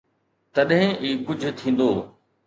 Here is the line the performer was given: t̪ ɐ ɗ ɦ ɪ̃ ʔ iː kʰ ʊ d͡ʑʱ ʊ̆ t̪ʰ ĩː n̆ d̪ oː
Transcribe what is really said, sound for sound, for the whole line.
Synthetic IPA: t̪ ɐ ɗ ɦ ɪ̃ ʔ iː k ʊ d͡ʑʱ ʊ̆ t̪ʰ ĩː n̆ d̪ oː